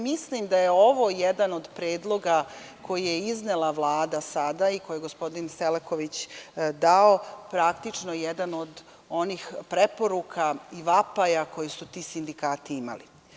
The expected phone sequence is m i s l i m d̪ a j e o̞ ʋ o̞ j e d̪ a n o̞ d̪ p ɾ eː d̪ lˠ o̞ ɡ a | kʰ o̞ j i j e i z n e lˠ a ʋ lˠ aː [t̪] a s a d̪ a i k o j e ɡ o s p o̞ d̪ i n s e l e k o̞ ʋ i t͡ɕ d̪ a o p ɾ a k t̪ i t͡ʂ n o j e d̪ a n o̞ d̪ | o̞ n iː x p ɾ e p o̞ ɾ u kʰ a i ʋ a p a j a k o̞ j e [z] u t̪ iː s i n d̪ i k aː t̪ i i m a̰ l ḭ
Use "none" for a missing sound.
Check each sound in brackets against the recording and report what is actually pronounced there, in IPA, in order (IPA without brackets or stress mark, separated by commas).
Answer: d̪, s